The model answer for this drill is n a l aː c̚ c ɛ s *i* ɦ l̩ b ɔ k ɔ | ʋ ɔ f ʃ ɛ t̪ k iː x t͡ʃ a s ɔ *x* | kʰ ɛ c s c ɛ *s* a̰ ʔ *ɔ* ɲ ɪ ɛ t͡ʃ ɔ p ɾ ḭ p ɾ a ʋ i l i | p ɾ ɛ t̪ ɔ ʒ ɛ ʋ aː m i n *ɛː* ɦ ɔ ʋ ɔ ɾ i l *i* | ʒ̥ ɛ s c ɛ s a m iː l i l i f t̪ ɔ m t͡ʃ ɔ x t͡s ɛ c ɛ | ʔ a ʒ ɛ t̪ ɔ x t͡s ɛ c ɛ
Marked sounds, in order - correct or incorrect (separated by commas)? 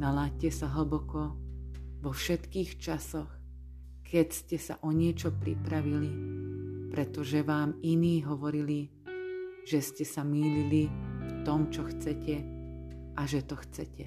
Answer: incorrect, correct, correct, correct, incorrect, correct